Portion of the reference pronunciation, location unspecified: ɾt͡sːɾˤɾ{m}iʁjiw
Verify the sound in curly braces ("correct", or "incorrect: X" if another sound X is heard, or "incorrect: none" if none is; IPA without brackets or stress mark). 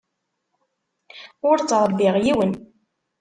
incorrect: b